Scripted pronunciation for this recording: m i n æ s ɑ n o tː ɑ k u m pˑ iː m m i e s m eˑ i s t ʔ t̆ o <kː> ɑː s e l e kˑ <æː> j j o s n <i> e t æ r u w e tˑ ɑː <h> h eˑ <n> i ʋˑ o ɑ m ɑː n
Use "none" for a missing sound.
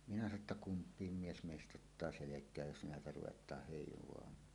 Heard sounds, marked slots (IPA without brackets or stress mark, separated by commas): tː, æː, æ, h, none